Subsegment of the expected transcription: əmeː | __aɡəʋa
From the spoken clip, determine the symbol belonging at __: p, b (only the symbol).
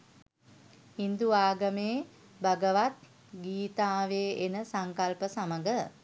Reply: b